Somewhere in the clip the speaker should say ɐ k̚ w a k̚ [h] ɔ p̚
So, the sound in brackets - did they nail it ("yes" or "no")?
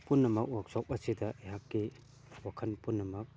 no